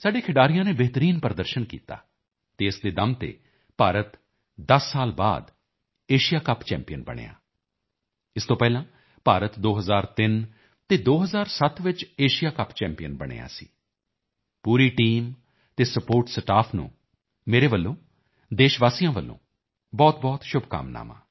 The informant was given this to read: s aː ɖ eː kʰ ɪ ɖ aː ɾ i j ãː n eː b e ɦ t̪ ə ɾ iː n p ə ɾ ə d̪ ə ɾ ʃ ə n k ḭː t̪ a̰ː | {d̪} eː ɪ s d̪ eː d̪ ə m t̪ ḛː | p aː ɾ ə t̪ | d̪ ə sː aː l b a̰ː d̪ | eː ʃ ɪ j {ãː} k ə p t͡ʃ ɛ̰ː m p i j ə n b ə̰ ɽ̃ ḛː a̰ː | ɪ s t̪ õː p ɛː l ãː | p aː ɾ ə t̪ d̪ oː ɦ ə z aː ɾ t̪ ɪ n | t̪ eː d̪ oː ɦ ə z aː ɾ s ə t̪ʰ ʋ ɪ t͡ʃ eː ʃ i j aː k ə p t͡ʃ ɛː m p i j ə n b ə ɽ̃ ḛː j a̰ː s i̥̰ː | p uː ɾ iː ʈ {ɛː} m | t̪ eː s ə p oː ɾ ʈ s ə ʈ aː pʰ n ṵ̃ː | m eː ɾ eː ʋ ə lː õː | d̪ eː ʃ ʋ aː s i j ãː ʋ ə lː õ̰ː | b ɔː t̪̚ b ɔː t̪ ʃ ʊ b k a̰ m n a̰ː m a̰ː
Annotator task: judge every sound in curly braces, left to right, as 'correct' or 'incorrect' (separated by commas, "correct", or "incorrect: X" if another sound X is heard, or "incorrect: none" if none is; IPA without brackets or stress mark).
incorrect: t̪, incorrect: aː, incorrect: iː